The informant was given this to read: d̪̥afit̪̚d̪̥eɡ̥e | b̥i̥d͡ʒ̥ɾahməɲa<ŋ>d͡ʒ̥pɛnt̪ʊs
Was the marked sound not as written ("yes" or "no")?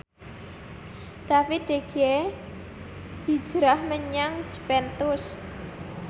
no